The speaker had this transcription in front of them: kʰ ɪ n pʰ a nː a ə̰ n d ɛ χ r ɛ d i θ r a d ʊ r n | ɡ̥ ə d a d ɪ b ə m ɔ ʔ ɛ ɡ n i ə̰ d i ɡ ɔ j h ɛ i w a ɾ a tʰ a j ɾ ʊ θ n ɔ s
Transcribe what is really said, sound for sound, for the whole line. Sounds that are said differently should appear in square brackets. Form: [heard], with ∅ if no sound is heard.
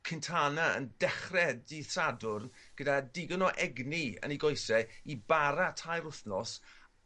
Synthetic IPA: kʰ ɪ n [tʰ] a [n] a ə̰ n d ɛ χ r ɛ d i θ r a d ʊ r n | ɡ̥ ə d a d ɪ [ɡ] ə [n] ɔ ʔ ɛ ɡ n i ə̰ [n] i ɡ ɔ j [s] ɛ i [b] a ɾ a tʰ a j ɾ ʊ θ n ɔ s